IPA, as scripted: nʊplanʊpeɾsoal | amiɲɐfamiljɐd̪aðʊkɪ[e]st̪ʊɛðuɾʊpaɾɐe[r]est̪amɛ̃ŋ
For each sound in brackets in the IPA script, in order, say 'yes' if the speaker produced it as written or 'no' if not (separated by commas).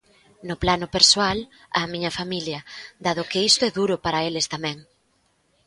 no, no